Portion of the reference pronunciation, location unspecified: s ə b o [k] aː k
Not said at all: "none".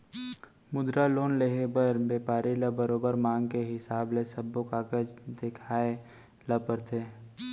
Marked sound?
k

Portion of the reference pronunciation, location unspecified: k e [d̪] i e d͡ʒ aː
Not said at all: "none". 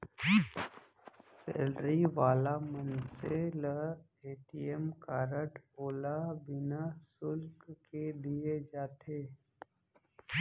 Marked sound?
d̪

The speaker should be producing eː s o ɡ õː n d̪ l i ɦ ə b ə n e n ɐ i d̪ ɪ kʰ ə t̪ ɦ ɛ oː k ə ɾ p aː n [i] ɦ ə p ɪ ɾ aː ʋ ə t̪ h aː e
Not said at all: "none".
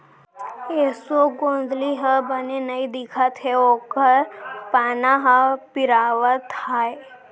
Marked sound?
a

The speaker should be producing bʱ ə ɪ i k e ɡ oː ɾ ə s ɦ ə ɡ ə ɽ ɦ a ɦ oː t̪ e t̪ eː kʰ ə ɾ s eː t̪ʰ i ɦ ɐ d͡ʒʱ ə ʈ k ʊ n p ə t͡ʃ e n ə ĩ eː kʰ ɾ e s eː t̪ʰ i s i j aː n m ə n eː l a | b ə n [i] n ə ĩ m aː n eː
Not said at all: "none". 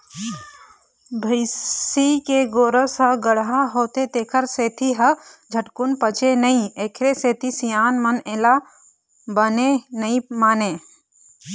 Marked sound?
e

